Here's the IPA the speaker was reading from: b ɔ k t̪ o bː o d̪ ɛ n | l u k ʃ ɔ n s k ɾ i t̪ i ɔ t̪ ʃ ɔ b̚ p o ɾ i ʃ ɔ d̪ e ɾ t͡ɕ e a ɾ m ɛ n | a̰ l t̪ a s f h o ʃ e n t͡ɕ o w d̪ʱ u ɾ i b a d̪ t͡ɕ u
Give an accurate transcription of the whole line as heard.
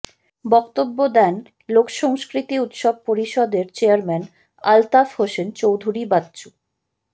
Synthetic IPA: b ɔ k t̪ o bː o d̪ ɛ n | l o k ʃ ɔ ŋ s k ɾ i t̪ i u t̪ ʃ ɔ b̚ p o ɾ i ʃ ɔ d̪ e ɾ t͡ɕ e a ɾ m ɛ n | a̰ l t̪ a f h o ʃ e n t͡ɕ o w d̪ʱ u ɾ i b a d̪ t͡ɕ u